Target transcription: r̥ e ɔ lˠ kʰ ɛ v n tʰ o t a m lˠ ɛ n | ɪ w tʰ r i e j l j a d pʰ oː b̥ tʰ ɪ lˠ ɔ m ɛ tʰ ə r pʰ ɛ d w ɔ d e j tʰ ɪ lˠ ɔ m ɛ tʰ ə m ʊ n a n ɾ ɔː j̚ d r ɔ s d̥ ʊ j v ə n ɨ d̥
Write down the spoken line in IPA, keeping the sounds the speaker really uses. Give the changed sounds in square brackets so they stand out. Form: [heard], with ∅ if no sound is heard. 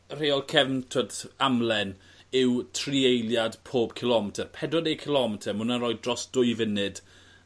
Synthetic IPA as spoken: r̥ e ɔ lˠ kʰ ɛ v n tʰ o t a m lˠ ɛ n | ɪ w tʰ r i e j l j a d pʰ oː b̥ [kʰ] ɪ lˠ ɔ m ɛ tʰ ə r pʰ ɛ d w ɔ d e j [kʰ] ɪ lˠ ɔ m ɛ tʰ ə m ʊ n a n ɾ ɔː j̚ d r ɔ s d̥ ʊ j v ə n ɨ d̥